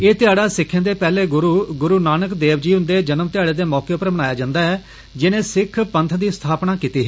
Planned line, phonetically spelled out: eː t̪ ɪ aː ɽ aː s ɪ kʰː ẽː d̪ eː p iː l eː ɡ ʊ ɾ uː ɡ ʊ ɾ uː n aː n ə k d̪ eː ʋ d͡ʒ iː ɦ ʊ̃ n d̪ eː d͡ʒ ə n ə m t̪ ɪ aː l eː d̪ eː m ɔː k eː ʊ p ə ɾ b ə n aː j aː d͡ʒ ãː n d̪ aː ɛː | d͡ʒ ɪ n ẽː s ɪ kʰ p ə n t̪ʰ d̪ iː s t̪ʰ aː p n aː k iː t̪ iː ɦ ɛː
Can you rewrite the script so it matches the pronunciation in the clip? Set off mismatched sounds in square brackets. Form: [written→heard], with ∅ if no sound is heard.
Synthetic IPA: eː t̪ ɪ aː ɽ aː s ɪ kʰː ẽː d̪ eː p [iː→ɛː] l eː ɡ ʊ ɾ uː ɡ ʊ ɾ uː n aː n ə k d̪ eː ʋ d͡ʒ iː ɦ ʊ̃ n d̪ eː d͡ʒ ə n ə m t̪ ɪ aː [l→ɽ] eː d̪ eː m ɔː k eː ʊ p ə ɾ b ə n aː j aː d͡ʒ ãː n d̪ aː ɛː | d͡ʒ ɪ n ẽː s ɪ kʰ p ə n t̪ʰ d̪ iː s t̪ʰ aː p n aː k iː t̪ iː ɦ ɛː